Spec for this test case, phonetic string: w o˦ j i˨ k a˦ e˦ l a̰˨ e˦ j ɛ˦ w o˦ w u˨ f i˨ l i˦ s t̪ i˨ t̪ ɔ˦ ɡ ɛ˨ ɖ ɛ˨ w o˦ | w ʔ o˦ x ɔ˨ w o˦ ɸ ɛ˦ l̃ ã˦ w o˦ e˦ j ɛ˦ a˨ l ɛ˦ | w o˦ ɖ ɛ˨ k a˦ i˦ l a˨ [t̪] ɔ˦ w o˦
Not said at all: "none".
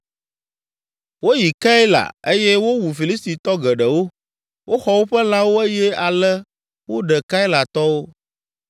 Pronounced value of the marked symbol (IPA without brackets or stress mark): t̪